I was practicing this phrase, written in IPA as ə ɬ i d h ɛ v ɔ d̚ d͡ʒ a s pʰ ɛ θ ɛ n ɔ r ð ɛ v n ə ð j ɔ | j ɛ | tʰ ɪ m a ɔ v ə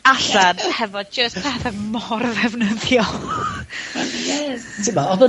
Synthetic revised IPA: a ɬ a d h ɛ v ɔ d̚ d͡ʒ ə s pʰ ɛ θ ɛ m ɔ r ð ɛ v n ə ð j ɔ | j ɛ | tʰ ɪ m a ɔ ð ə